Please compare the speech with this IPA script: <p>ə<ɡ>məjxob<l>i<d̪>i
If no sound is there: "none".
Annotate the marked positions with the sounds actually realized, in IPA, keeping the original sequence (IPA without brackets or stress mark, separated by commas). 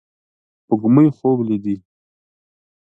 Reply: p, ɡ, l, d̪